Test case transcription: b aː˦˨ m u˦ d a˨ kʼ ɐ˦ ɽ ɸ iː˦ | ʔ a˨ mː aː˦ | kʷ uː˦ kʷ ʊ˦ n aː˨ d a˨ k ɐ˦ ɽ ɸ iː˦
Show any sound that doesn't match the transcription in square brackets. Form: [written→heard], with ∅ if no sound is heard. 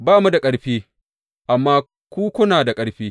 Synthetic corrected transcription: b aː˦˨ m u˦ d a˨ kʼ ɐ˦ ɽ ɸ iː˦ | ʔ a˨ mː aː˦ | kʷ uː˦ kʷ ʊ˦ n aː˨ d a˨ [k→kʼ] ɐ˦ ɽ ɸ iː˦